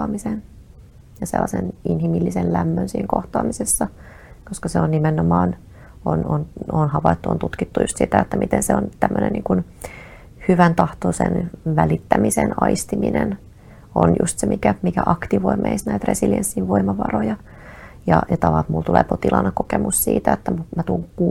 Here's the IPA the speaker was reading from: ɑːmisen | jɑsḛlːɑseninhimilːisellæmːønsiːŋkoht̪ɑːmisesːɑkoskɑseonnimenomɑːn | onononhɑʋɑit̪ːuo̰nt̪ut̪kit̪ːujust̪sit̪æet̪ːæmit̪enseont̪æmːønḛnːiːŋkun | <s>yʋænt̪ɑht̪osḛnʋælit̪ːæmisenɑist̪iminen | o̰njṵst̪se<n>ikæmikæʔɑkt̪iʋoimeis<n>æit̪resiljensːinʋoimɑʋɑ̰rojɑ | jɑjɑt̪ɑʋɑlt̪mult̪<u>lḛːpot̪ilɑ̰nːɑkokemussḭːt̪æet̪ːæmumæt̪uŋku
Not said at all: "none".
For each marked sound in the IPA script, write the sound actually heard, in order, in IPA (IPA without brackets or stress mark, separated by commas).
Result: h, m, n, u